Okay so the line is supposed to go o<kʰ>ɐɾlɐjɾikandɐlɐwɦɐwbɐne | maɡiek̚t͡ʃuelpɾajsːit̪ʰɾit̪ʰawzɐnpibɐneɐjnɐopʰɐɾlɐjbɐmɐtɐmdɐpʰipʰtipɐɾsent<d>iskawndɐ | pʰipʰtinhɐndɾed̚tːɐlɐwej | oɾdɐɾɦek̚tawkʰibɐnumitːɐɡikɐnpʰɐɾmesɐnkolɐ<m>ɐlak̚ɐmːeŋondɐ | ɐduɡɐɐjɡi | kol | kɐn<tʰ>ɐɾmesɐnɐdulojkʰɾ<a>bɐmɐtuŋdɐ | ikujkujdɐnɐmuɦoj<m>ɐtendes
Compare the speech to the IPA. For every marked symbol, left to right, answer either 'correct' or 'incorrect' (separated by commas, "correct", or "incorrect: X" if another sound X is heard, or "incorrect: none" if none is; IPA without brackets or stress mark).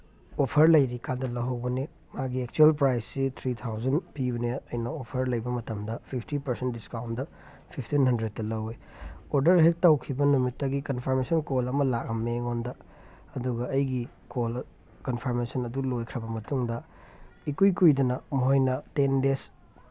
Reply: incorrect: pʰ, correct, correct, incorrect: pʰ, incorrect: ɐ, incorrect: n